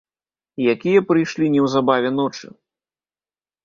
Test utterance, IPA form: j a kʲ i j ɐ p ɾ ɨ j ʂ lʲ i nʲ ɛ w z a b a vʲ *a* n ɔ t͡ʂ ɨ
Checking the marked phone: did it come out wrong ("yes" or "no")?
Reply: yes